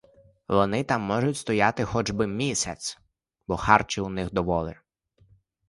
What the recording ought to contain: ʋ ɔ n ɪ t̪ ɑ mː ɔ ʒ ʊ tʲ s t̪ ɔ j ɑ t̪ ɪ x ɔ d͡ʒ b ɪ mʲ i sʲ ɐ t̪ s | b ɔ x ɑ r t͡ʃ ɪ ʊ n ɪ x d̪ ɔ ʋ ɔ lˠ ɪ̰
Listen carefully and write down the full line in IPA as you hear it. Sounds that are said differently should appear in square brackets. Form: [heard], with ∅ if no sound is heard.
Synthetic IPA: ʋ ɔ n ɪ t̪ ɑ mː ɔ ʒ ʊ tʲ s t̪ ɔ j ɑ t̪ ɪ x ɔ d͡ʒ b ɪ mʲ i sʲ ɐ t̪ s | b ɔ x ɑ r t͡ʃ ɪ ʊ n ɪ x d̪ ɔ ʋ ɔ lˠ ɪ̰